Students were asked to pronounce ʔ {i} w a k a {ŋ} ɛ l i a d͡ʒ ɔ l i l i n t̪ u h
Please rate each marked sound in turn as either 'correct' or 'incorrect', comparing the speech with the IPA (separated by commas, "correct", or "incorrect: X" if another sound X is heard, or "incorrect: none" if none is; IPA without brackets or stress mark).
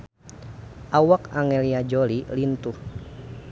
incorrect: a, correct